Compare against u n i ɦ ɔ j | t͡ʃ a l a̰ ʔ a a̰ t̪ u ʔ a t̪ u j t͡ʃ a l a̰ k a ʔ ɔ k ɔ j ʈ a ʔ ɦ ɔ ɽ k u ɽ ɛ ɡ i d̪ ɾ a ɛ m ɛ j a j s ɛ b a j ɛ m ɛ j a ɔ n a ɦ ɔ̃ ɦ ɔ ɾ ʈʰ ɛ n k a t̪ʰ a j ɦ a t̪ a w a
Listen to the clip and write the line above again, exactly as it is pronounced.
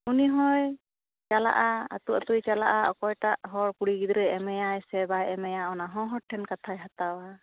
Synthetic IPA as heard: u n i ɦ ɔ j | t͡ʃ a l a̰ ʔ a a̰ t̪ u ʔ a t̪ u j t͡ʃ a l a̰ ʔ a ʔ ɔ k ɔ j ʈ a ʔ ɦ ɔ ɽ k u ɽ i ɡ i d̪ ɾ ɛ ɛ m ɛ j a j s ɛ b a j ɛ m ɛ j a ɔ n a ɦ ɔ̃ ɦ ɔ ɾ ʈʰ ɛ n k a t̪ʰ a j ɦ a t̪ a w a

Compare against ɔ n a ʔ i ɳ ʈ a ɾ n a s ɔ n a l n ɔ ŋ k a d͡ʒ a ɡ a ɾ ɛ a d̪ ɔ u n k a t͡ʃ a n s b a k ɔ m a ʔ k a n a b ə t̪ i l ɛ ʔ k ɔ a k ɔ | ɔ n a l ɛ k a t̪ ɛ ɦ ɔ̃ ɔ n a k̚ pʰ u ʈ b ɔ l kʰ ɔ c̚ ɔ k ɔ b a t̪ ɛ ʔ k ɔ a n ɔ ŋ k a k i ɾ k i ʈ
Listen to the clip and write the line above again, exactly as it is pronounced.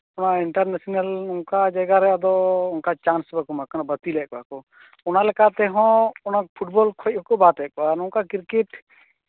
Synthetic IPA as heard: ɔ n a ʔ i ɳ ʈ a ɾ n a s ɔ n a l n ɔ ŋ k a d͡ʒ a ɡ a ɾ ɛ a d̪ ɔ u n k a t͡ʃ a n s b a k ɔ m a k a n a b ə t̪ i l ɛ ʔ k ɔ a k ɔ | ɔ n a l ɛ k a t̪ ɛ ɦ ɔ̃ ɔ n a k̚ pʰ u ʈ b ɔ l kʰ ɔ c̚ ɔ k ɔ b a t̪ ɛ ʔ k ɔ a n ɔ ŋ k a k i ɾ k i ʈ

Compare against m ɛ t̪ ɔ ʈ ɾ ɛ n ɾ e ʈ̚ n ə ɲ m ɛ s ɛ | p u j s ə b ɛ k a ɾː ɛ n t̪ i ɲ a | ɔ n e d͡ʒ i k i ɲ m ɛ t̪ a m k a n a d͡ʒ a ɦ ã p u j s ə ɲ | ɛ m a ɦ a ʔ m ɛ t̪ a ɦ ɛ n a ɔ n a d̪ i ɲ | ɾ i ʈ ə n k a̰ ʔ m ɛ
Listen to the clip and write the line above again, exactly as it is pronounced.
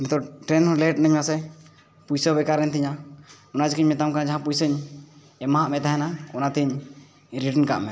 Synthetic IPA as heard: m ɛ t̪ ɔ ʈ ɾ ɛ n l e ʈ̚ n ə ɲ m a s ɛ | p u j s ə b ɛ k a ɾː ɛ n t̪ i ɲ a | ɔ n a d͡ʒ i k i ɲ m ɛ t̪ a m k a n a d͡ʒ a ɦ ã p u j s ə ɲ | ɛ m a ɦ a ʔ m ɛ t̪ a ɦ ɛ n a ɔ n a t̪ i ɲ | ɾ i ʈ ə n k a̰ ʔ m ɛ

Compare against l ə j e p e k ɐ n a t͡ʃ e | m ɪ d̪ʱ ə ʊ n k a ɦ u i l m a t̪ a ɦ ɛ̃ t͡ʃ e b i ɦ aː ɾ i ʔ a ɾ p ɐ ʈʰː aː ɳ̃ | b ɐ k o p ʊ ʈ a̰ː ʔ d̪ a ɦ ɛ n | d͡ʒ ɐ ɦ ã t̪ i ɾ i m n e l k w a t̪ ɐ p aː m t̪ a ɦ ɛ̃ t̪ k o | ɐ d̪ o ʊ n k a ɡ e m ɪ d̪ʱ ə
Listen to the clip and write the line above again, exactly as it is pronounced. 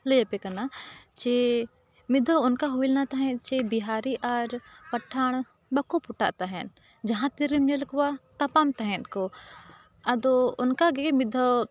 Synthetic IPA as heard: l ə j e p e k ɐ n a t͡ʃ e | m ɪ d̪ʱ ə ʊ n k a ɦ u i l n a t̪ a ɦ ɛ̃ t͡ʃ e b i ɦ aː ɾ i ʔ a ɾ p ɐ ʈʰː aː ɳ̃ | b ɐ k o p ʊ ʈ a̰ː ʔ t̪ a ɦ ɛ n | d͡ʒ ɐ ɦ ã t̪ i ɾ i m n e l k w a t̪ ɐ p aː m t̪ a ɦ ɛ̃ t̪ k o | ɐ d̪ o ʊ n k a ɡ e m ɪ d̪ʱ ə

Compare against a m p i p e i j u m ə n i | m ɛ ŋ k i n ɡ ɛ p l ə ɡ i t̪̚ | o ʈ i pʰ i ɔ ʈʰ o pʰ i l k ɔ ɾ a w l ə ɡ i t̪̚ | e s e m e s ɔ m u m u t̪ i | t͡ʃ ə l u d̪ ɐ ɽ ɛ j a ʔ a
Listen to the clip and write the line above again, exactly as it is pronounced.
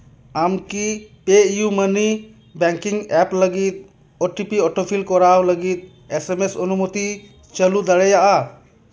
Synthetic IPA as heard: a m k i p e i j u m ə n i | b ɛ ŋ k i ŋ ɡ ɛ p l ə ɡ i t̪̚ | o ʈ i p i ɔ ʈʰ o pʰ i l k ɔ ɾ a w l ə ɡ i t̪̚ | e s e m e s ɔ n u m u t̪ i | t͡ʃ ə l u d̪ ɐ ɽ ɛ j a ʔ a

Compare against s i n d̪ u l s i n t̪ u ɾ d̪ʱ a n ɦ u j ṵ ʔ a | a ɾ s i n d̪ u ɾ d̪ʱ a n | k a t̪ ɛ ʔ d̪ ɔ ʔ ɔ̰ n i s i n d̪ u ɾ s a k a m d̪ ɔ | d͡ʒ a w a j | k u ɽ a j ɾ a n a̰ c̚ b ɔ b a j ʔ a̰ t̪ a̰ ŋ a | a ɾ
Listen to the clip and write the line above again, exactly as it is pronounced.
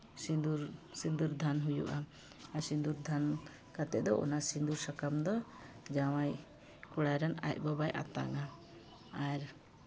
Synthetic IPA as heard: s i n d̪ u ɾ s i n d̪ u ɾ d̪ʱ a n ɦ u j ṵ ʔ a | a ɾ s i n d̪ u ɾ d̪ʱ a n | k a t̪ ɛ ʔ d̪ ɔ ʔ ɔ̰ n a s i n d̪ u ɾ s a k a m d̪ ɔ | d͡ʒ a w a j | k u ɽ a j ɾ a n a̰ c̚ b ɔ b a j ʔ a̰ t̪ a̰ ŋ a | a ɾ

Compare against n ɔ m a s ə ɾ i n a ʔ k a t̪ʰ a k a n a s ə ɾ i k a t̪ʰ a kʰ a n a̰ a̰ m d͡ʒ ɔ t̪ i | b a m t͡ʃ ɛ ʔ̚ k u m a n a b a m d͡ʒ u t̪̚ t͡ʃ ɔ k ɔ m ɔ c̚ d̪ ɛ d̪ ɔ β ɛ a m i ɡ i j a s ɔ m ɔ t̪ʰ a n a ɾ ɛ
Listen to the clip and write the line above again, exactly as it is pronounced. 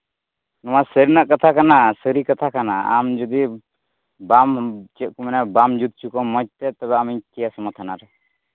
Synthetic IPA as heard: n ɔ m a s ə ɾ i n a ʔ k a t̪ʰ a k a n a s ə ɾ i k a t̪ʰ a k a n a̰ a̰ m d͡ʒ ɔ d̪ i | b a m t͡ʃ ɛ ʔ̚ k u m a n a b a m d͡ʒ u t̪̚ t͡ʃ u k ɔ m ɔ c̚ t̪ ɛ t̪ ɔ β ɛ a m i k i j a s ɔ m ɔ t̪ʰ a n a ɾ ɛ

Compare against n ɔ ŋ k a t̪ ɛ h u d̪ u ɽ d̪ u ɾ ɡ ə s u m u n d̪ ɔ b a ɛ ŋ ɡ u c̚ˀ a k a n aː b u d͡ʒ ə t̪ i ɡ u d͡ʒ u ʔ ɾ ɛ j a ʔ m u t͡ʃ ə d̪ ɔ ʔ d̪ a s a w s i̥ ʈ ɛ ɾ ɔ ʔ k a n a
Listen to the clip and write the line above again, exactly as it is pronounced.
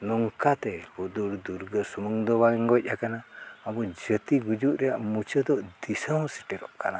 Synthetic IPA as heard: n ɔ ŋ k a t̪ ɛ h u d̪ u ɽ d̪ u ɾ ɡ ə s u m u ŋ d̪ ɔ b a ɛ ŋ ɡ ɔ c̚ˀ a k a n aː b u d͡ʒ ə t̪ i ɡ u d͡ʒ u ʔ ɾ ɛ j a ʔ m u t͡ʃ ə d̪ ɔ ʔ d̪ i s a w s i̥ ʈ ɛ ɾ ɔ ʔ k a n a

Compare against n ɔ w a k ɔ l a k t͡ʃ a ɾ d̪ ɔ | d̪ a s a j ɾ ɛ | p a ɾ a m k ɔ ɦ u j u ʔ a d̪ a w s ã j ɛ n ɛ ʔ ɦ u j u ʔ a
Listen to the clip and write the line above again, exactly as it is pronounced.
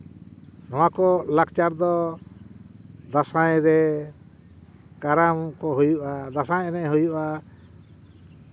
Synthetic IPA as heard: n ɔ w a k ɔ l a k t͡ʃ a ɾ d̪ ɔ | d̪ a s a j ɾ ɛ | k a ɾ a m k ɔ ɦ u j u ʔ a d̪ a s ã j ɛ n ɛ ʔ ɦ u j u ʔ a

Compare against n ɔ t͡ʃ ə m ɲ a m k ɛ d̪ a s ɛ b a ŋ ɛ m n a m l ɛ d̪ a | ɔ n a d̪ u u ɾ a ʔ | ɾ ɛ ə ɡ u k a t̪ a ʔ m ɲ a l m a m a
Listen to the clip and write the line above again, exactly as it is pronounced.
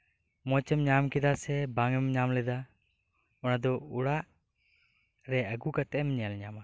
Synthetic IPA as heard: m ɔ t͡ʃ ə m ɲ a m k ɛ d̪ a s ɛ b a ŋ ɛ m ɲ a m l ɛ d̪ a | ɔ n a d̪ ɔ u ɽ a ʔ | ɾ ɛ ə ɡ u k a t̪ ɛ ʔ m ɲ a l ɲ a m a

